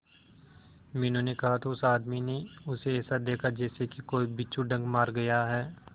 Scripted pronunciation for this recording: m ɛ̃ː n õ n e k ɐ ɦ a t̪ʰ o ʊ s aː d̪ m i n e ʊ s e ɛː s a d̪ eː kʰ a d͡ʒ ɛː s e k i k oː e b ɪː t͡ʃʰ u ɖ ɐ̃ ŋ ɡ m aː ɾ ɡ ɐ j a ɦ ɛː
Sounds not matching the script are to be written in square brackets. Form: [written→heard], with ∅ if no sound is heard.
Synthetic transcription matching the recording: m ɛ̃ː n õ n e k ɐ ɦ a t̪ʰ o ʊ s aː d̪ m i n e ʊ s e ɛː s a d̪ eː kʰ a d͡ʒ ɛː s e k i k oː [e→i] b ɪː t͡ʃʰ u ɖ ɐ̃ ŋ ɡ m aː ɾ ɡ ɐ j a ɦ ɛː